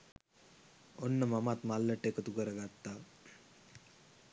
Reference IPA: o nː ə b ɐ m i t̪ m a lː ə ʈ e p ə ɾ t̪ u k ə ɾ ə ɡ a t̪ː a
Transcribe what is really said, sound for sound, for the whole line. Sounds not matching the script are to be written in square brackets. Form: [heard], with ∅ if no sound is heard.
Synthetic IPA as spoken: o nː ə [m] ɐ m [a] t̪ m a lː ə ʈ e [k] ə [∅] t̪ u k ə ɾ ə ɡ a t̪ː a